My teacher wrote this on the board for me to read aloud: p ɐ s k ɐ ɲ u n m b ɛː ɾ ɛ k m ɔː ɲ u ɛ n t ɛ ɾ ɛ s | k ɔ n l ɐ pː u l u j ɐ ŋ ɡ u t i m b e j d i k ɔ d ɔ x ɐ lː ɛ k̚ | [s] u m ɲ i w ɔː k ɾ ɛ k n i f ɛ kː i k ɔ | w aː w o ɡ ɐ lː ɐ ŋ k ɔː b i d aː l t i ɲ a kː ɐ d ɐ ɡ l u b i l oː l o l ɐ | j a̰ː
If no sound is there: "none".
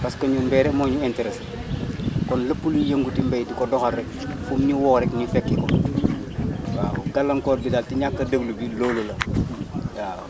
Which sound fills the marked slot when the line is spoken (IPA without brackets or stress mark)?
f